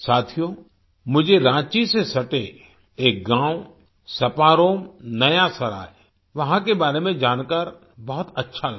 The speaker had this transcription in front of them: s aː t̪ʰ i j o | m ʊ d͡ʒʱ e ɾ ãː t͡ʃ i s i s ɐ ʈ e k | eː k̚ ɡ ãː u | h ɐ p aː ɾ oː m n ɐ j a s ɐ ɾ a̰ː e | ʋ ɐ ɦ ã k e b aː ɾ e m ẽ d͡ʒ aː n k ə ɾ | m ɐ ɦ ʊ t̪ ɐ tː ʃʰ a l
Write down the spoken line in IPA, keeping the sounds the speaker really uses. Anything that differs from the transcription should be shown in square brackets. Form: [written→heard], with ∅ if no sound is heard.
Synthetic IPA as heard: s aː t̪ʰ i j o | m ʊ d͡ʒʱ e ɾ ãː t͡ʃ i s [i→e] s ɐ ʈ e [k→∅] | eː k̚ ɡ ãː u | [h→s] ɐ p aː ɾ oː m n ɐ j a s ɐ ɾ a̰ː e | ʋ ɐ ɦ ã k e b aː ɾ e m ẽ d͡ʒ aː n k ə ɾ | [m→b] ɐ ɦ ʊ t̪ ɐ tː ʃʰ a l